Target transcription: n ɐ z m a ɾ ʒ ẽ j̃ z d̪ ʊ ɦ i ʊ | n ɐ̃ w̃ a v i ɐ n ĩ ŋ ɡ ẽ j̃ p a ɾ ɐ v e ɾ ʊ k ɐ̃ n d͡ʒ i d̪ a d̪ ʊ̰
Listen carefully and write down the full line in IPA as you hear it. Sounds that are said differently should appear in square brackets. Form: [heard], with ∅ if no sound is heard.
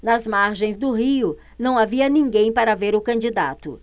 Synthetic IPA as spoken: n ɐ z m a ɾ ʒ ẽ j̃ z d̪ ʊ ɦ i ʊ | n ɐ̃ w̃ a v i ɐ n ĩ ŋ ɡ ẽ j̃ p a ɾ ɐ v e ɾ ʊ k ɐ̃ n d͡ʒ i d̪ a [t̪] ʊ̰